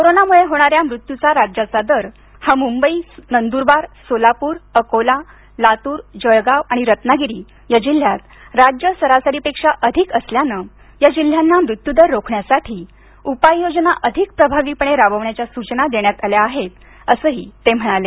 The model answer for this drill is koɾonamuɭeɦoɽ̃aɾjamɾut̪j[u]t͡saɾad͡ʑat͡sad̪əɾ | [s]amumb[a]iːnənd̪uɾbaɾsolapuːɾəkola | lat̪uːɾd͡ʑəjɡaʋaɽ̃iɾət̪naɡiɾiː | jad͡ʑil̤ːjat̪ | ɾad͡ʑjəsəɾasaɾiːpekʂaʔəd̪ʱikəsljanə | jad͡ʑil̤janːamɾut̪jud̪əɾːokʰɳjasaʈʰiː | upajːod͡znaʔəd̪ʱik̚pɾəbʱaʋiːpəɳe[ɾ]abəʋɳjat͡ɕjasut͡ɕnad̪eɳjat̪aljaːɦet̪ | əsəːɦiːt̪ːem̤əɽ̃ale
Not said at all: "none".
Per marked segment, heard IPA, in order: u, h, ə, ɾ

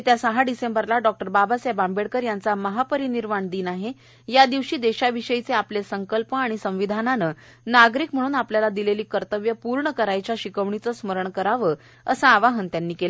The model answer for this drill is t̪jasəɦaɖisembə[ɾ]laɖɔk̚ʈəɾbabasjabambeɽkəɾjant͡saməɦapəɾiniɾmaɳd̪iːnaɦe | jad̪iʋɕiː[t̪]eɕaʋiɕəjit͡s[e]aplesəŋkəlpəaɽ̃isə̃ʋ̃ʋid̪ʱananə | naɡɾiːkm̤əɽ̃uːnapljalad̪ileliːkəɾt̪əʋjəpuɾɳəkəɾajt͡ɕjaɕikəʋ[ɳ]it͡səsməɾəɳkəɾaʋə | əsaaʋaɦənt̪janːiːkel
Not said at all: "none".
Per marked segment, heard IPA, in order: ɾ, d̪, e, ɳ

